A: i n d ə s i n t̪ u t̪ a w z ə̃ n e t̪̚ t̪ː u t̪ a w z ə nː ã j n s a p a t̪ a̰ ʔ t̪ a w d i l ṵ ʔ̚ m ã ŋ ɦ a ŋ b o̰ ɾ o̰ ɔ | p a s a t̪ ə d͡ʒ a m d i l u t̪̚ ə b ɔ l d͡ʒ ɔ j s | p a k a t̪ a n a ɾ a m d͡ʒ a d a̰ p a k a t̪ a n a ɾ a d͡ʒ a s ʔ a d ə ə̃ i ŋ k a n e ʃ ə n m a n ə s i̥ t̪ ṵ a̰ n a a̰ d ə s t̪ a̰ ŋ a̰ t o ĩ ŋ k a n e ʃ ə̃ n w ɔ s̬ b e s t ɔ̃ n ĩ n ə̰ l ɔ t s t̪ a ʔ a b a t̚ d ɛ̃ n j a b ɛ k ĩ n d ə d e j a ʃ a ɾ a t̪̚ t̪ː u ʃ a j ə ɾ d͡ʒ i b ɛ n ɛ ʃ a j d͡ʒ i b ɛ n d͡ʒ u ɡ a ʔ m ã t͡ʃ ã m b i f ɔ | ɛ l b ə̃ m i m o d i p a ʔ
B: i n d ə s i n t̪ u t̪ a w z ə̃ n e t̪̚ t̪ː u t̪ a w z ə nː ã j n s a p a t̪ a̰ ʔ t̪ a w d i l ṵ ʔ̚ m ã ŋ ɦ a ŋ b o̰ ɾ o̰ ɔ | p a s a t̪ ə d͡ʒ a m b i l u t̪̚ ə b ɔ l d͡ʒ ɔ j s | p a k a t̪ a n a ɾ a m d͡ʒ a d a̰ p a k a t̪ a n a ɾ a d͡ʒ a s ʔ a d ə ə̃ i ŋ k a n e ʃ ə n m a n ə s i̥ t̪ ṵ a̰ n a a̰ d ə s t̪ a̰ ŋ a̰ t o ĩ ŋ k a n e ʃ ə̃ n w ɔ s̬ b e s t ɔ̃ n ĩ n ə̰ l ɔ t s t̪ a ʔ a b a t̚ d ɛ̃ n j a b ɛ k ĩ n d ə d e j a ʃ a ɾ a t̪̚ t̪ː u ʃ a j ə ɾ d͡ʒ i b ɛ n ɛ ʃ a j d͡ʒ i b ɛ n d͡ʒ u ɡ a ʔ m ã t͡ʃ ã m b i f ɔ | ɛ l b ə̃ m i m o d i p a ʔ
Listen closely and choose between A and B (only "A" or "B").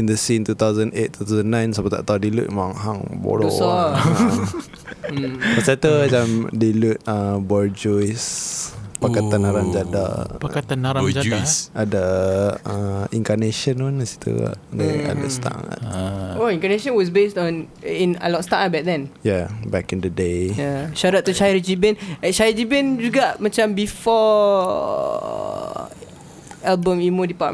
A